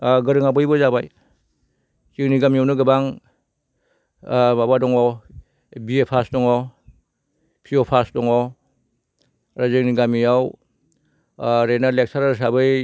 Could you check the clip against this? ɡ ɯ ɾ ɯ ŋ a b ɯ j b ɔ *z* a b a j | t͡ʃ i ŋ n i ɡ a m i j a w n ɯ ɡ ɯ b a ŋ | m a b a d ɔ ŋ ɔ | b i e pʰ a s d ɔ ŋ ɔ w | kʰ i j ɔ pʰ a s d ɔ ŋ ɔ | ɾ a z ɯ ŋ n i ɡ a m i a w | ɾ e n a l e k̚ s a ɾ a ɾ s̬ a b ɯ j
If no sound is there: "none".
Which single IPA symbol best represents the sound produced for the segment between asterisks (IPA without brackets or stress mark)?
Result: z